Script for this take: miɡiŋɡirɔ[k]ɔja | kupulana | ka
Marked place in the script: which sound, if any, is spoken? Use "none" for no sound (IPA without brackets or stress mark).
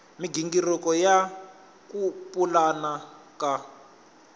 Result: k